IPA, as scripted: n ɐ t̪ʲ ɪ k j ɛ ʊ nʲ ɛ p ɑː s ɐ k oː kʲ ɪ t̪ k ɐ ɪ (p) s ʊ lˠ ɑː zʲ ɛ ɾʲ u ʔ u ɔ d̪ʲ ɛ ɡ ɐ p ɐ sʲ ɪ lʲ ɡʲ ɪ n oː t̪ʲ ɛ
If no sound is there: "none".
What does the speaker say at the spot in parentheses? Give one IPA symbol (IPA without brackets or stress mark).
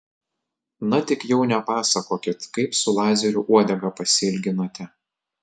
p